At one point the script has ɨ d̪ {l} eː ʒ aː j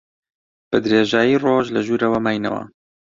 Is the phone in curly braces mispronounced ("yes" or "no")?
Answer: yes